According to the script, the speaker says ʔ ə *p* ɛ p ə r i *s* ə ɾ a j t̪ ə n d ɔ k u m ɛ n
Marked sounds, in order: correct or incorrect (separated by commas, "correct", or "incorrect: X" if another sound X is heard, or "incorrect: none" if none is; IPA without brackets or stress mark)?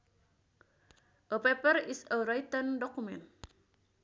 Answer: correct, correct